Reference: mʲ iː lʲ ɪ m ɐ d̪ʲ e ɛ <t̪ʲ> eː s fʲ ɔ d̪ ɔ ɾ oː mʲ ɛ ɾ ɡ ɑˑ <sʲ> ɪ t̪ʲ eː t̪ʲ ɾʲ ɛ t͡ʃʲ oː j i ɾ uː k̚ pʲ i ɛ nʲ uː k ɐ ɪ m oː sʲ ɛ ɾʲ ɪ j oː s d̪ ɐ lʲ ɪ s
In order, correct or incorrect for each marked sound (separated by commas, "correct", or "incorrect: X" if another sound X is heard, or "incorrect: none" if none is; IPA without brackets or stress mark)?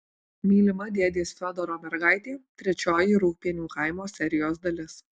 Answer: incorrect: d̪ʲ, incorrect: none